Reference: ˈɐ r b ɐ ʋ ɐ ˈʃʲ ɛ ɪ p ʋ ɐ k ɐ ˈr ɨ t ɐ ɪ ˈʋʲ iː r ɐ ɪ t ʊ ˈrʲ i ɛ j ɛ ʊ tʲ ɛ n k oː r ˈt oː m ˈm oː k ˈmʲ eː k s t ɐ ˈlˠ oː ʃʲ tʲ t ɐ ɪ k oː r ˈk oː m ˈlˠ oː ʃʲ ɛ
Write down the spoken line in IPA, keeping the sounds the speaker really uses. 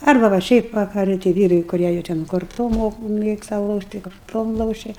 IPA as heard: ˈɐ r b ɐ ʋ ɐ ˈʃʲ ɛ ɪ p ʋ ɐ k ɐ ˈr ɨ t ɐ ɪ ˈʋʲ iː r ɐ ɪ k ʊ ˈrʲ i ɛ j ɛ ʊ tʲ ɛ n k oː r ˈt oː m ˈm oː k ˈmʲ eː k s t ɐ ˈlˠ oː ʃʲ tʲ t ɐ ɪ k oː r ˈt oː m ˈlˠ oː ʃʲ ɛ